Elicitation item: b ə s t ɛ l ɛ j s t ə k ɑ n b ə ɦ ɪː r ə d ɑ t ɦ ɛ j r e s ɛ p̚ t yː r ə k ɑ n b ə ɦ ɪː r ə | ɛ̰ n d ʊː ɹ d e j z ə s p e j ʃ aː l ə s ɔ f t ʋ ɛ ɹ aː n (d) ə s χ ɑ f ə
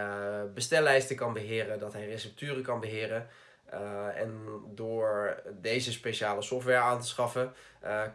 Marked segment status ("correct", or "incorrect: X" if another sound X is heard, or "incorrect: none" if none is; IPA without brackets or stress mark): incorrect: t